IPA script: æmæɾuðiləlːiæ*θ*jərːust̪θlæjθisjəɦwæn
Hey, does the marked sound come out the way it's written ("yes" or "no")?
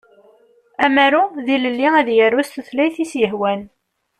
no